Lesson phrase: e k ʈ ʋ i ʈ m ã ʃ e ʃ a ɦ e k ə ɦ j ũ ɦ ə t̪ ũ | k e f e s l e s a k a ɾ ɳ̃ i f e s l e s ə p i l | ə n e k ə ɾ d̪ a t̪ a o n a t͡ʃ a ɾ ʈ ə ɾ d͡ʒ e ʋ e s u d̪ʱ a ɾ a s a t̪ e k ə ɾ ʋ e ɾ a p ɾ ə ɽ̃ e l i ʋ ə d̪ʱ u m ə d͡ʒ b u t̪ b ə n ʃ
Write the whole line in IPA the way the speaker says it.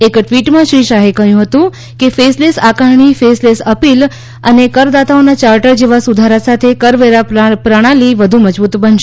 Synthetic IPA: e k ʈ ʋ i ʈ m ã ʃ i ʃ a ɦ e k ə ɦ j ũ ɦ ə t̪ ũ | k e f e s l e s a k a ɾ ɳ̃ i f e s l e s ə p i l | ə n e k ə ɾ d̪ a t̪ a o n a t͡ʃ a ɾ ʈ ə ɾ d͡ʒ e ʋ a s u d̪ʱ a ɾ a s a t̪ʰ e k ə ɾ ʋ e ɾ a p ɾ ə ɽ̃ a l i ʋ ə d̪ʱ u m ə d͡ʒ b u t̪ b ə n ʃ